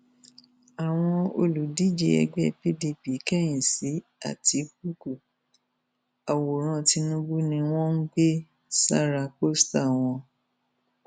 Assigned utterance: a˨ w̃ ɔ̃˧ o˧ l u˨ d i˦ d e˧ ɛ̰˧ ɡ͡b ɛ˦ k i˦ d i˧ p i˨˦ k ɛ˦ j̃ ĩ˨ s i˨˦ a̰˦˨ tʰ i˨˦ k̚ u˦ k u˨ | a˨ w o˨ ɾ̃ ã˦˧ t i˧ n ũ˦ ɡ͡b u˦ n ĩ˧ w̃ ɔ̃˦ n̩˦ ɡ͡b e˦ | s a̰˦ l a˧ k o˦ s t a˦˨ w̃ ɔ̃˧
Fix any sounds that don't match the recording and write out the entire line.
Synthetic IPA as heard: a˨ w̃ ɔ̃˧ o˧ l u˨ d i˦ d͡ʒ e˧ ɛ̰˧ ɡ͡b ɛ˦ p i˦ d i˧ p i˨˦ k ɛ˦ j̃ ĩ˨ s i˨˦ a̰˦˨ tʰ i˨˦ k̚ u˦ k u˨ | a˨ w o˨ ɾ̃ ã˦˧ t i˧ n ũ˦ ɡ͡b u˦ n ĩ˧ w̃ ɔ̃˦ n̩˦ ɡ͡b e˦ | s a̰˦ ɾ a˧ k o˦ s t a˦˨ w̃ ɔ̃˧